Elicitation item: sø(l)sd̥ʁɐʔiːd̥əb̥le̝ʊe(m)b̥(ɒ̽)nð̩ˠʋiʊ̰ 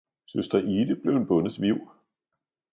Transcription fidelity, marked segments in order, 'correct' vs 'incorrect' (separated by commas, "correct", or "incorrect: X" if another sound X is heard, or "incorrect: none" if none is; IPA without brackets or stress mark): incorrect: none, incorrect: n, incorrect: ɔ̽